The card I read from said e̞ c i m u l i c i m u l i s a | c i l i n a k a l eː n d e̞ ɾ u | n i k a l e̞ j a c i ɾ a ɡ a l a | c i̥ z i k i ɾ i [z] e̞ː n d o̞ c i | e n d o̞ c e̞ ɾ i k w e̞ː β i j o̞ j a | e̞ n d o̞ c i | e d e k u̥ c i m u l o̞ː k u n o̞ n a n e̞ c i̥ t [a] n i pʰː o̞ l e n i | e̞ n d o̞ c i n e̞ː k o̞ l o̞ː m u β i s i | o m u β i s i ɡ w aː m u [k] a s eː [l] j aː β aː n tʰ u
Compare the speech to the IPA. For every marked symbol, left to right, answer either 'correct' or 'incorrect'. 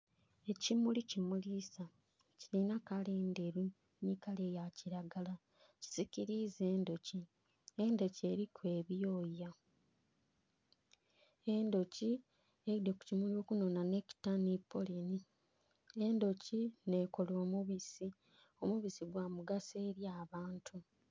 correct, correct, incorrect, incorrect

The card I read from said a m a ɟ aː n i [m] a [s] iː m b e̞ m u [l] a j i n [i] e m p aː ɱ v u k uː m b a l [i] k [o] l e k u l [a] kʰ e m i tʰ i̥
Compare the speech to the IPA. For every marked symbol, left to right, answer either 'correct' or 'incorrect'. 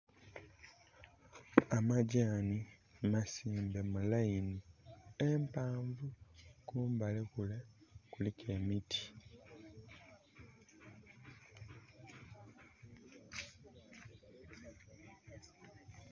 correct, correct, correct, correct, incorrect, incorrect, incorrect

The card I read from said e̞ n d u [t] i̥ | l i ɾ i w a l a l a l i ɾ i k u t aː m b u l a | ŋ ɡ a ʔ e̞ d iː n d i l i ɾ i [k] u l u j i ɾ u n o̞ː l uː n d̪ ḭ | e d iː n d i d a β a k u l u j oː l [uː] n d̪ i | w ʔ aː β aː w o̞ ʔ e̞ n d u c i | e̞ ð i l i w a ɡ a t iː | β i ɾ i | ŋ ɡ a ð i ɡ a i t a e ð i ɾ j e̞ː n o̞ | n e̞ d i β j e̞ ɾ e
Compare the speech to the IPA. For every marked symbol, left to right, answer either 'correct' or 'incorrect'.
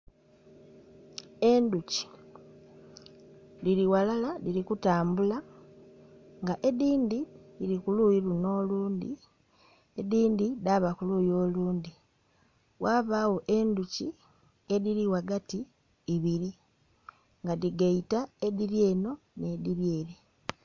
incorrect, correct, correct

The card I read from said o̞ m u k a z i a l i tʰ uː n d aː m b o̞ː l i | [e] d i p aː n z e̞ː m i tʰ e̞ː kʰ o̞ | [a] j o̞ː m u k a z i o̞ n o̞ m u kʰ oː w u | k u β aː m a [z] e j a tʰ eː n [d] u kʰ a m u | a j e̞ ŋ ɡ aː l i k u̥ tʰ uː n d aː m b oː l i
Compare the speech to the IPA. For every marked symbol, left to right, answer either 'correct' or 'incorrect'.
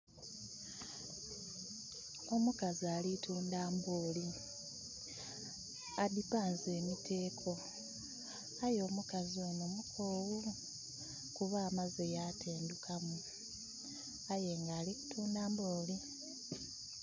incorrect, correct, correct, correct

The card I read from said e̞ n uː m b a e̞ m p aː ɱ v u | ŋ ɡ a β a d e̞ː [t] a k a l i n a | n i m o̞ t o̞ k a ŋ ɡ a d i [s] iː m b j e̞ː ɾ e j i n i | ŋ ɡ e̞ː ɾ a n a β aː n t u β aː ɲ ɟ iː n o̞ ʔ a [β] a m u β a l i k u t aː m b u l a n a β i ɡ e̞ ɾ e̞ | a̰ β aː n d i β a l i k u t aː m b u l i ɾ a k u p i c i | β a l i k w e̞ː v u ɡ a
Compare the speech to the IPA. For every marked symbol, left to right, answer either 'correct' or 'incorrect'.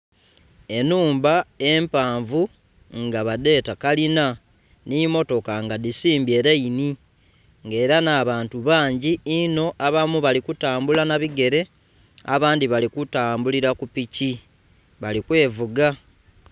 correct, correct, correct

